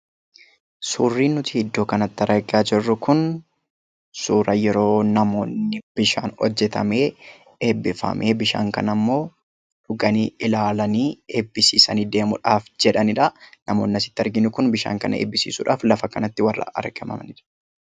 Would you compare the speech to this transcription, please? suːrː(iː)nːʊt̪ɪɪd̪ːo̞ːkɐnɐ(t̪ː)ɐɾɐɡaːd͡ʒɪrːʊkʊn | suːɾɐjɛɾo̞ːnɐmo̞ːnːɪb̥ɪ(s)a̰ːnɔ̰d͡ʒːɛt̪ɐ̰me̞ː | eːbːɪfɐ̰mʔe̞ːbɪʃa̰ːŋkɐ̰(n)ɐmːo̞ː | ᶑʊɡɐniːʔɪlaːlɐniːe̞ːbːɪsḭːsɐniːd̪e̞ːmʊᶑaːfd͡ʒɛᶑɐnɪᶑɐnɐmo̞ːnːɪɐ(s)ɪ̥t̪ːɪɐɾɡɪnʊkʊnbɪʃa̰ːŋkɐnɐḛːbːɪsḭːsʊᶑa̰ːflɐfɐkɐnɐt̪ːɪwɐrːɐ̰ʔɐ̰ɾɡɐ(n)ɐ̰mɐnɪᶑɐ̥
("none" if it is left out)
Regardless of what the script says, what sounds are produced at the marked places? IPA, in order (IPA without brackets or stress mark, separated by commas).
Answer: iː, t̪ː, ʃ, n, s, m